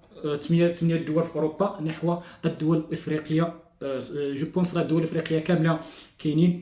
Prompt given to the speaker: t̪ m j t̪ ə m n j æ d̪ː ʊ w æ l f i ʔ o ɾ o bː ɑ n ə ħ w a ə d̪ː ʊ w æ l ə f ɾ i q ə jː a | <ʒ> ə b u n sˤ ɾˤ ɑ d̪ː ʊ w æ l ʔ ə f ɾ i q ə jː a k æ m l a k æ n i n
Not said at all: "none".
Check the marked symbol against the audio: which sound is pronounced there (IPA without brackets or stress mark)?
ʒ